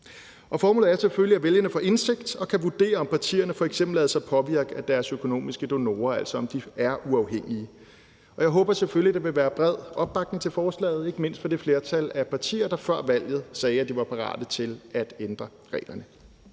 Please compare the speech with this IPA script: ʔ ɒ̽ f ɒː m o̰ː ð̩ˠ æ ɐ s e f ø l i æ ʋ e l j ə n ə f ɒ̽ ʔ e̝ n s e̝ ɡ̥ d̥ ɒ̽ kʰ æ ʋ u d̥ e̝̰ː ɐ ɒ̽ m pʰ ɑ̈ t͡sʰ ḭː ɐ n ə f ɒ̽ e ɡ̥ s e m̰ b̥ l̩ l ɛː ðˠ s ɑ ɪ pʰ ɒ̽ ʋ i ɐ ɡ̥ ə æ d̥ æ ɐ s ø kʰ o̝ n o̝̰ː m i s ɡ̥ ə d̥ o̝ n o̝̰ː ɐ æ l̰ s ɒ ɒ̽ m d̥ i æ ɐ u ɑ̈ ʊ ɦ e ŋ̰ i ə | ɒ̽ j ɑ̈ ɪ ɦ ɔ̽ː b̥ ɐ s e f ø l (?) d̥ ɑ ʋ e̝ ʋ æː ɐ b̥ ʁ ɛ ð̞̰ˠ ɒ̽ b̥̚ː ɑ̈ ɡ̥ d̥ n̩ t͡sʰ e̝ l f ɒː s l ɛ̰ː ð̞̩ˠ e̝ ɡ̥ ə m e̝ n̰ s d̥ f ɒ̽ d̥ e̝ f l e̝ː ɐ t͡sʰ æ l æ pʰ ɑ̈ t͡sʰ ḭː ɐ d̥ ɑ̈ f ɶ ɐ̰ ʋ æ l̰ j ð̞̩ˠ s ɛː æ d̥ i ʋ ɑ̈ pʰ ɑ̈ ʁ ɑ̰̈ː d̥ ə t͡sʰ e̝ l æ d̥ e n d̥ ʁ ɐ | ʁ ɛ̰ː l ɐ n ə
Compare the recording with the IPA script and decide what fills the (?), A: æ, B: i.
B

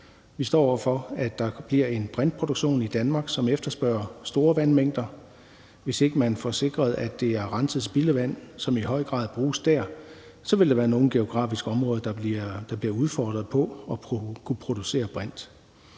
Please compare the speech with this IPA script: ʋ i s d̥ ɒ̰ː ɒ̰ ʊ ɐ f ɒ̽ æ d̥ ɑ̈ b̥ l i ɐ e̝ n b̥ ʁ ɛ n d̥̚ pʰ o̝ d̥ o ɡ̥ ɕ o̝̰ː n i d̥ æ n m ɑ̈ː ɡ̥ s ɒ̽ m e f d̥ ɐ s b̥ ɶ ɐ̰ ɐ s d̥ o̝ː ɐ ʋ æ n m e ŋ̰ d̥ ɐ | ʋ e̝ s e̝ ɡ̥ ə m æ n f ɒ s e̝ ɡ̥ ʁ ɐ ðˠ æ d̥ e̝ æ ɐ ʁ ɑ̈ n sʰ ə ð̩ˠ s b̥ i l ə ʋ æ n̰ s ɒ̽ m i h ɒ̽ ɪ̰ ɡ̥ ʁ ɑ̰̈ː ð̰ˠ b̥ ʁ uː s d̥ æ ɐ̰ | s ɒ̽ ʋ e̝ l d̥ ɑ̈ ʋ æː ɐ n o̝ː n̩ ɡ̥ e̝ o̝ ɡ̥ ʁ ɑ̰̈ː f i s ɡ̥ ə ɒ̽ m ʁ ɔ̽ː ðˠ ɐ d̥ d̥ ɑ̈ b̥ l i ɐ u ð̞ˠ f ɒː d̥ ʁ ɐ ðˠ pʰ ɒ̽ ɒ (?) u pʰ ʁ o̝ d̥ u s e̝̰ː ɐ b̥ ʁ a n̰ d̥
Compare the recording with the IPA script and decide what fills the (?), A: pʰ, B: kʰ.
B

